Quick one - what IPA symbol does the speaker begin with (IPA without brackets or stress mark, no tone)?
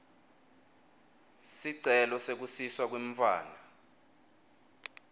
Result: s